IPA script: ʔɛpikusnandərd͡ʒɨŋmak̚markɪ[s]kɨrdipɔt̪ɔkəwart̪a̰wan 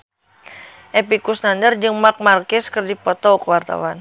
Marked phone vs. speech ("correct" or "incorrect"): correct